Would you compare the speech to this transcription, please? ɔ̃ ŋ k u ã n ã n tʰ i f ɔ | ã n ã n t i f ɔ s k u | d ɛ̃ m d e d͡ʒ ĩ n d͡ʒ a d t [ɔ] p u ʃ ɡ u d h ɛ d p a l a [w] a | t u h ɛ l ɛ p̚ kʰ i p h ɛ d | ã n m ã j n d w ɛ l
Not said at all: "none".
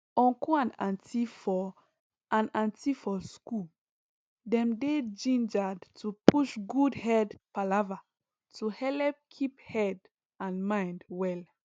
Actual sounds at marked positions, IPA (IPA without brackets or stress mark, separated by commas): u, v